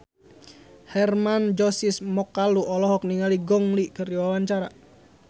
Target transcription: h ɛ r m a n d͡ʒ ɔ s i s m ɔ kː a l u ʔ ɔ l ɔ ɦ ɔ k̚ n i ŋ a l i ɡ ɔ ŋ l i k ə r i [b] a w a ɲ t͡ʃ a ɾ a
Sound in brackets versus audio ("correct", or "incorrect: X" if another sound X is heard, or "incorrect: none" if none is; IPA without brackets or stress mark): incorrect: w